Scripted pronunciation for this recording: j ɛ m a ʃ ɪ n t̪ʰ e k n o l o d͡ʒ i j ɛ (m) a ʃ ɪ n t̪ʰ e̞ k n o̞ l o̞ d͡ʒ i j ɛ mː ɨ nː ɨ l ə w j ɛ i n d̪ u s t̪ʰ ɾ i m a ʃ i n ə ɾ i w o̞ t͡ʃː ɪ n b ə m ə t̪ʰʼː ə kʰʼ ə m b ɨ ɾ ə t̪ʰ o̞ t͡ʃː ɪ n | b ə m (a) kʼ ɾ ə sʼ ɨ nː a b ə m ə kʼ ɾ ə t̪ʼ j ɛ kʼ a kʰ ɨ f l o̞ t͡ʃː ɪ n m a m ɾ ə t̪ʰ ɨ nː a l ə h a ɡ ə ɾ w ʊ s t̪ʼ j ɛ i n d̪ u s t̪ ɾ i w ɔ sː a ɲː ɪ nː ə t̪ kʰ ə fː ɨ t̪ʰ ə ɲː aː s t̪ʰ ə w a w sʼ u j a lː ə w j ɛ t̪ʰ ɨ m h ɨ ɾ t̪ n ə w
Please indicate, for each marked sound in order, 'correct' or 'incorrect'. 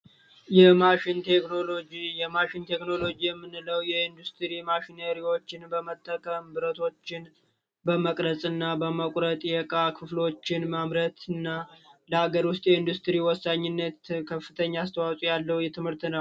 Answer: correct, incorrect

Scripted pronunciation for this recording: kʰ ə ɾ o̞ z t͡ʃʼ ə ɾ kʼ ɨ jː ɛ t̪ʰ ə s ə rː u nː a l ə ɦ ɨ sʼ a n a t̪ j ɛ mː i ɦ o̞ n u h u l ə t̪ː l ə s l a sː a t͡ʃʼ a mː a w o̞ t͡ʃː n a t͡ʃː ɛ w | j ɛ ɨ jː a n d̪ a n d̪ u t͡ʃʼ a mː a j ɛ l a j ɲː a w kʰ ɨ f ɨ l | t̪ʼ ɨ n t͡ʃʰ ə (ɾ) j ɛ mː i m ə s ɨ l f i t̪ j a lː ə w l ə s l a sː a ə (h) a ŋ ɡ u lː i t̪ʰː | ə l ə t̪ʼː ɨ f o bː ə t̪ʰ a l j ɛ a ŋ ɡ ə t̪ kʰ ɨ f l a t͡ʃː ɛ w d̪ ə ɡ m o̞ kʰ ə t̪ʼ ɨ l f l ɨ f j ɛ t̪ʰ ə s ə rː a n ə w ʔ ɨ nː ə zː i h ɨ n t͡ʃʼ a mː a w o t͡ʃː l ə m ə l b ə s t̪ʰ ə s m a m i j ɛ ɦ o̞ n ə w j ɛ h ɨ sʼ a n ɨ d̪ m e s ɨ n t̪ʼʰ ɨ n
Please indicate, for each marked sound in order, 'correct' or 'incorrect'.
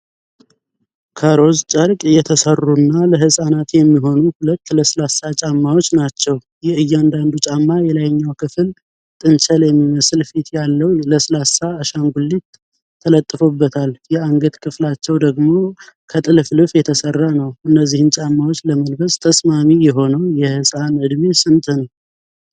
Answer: incorrect, incorrect

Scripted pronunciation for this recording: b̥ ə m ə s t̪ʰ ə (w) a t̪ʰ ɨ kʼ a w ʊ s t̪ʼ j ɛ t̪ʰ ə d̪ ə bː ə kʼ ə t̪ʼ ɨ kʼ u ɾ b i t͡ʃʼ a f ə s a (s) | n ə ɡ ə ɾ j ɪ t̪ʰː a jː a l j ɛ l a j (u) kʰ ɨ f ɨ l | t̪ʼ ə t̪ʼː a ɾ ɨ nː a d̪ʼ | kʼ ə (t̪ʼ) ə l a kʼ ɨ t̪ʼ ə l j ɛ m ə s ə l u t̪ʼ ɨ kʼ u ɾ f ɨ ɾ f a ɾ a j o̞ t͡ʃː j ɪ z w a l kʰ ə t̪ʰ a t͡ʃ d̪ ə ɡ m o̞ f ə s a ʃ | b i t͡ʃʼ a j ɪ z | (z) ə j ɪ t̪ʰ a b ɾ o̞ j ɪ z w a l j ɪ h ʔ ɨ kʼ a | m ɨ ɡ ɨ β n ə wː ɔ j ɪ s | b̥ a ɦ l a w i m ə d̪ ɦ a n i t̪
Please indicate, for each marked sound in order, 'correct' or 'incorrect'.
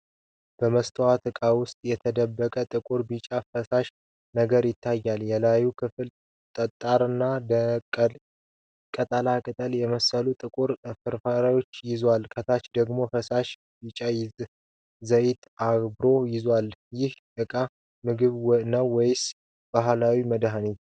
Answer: correct, incorrect, correct, correct, correct

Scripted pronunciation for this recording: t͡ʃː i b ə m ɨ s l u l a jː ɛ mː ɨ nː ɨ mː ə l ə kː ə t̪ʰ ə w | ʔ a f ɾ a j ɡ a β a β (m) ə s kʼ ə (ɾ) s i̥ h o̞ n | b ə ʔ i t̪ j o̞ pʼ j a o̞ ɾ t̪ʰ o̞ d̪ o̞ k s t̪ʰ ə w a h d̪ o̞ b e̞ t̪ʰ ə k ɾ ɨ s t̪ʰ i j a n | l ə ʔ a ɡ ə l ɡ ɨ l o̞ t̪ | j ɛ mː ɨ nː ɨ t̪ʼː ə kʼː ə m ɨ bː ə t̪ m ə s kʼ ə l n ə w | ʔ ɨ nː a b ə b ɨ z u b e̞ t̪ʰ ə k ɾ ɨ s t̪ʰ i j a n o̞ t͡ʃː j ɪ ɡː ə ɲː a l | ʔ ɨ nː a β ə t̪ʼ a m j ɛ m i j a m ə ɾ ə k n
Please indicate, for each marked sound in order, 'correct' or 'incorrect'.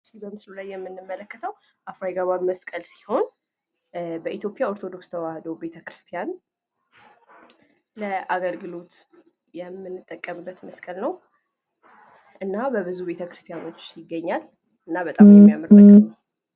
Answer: correct, incorrect

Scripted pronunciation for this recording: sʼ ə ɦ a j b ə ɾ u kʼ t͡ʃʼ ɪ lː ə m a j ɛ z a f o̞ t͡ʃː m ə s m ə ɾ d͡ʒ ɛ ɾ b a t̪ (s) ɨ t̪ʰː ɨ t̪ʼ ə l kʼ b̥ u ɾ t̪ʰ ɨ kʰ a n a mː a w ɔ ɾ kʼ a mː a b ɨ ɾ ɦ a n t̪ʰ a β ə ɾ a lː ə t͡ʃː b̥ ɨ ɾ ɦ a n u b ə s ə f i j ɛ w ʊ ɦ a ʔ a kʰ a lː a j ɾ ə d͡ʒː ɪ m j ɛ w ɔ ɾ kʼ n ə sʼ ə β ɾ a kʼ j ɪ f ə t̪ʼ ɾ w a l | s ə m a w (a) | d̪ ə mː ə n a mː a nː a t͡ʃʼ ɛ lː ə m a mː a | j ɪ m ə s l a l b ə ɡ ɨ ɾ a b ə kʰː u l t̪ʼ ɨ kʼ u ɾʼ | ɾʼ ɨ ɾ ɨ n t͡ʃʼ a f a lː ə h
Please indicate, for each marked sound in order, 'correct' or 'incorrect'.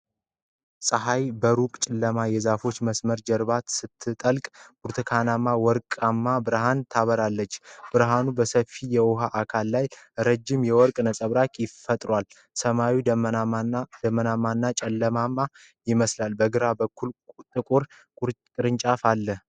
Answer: correct, incorrect

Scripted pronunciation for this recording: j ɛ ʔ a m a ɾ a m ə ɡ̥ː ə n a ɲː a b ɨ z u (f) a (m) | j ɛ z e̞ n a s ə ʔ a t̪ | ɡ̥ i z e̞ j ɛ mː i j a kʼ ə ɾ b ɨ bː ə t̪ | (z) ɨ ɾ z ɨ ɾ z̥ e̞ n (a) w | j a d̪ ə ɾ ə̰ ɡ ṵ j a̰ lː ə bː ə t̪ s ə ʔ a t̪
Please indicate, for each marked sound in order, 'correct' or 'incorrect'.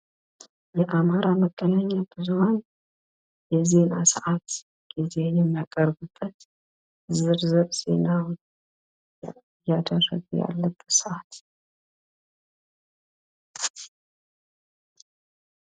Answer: incorrect, incorrect, correct, correct

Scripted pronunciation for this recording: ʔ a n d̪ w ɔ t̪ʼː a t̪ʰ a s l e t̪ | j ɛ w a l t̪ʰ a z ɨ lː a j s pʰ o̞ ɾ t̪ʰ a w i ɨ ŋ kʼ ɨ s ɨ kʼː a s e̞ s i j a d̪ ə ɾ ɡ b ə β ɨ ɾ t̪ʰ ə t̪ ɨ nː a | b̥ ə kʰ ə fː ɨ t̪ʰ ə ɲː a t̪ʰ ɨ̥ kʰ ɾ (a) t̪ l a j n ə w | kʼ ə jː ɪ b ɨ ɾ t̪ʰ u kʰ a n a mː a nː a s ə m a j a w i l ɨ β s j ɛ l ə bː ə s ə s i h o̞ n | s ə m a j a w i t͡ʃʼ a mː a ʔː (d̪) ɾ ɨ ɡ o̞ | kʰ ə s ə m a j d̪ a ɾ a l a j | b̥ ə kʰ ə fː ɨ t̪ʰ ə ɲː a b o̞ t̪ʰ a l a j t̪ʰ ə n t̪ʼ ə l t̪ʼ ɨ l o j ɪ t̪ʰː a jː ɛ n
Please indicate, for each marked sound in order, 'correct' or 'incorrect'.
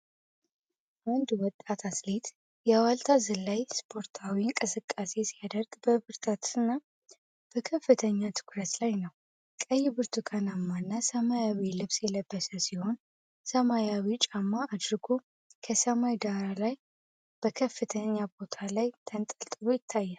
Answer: incorrect, correct

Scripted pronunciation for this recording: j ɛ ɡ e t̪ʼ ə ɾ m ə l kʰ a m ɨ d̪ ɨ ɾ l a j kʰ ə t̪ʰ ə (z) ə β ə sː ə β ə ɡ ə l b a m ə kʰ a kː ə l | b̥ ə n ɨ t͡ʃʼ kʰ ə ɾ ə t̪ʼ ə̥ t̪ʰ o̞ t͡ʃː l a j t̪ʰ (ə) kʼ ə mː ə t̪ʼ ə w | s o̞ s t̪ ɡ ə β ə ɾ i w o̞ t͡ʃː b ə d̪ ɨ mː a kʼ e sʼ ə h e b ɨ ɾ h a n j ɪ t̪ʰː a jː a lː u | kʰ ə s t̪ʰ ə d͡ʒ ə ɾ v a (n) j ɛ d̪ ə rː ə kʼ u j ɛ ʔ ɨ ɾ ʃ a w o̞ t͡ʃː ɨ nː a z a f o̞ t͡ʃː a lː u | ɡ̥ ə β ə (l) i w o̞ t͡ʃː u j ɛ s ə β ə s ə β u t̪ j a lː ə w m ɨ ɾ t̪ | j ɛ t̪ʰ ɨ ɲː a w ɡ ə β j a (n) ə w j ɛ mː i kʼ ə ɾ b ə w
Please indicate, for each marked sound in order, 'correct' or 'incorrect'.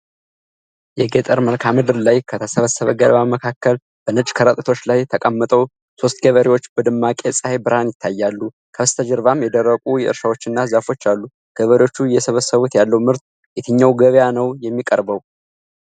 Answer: incorrect, correct, incorrect, incorrect, correct

